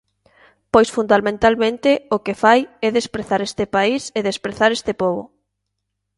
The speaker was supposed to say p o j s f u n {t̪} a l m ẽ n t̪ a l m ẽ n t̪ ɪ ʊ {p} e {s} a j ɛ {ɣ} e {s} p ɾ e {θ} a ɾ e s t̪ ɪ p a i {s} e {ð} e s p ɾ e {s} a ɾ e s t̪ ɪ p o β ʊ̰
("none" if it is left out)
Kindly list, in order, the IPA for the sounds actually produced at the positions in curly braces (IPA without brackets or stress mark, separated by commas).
d̪, k, f, ð, s, θ, s, ð, θ